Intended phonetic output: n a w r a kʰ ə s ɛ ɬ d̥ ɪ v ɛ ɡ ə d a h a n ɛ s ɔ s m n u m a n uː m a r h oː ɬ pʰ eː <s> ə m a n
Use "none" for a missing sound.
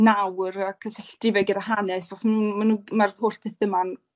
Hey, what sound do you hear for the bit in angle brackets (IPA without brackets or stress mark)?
θ